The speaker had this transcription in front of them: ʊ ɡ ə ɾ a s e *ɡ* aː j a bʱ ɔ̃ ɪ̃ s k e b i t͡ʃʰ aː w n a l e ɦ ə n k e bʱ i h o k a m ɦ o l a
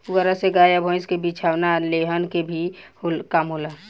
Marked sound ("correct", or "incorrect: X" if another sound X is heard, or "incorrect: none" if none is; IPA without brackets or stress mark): correct